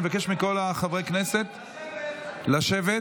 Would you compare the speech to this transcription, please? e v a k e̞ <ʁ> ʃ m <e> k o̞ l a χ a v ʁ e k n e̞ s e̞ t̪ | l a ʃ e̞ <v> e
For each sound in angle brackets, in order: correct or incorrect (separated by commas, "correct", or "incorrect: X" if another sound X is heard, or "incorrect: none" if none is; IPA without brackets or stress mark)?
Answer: incorrect: none, incorrect: i, correct